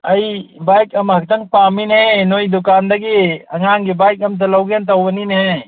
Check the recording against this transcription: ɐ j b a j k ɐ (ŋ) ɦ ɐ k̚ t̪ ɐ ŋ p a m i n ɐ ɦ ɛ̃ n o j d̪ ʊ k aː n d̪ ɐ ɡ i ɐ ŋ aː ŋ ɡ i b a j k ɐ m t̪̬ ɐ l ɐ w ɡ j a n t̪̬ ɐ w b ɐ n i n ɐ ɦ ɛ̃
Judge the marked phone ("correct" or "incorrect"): incorrect